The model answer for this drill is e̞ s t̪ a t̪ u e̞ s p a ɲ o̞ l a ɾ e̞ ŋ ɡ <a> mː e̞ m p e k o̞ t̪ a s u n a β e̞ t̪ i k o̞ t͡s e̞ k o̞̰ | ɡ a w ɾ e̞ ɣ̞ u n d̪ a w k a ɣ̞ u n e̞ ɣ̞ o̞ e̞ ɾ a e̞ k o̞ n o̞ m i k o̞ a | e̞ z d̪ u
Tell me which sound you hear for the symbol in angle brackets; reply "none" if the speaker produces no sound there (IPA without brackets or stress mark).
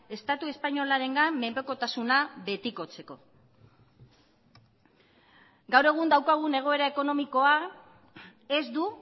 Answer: a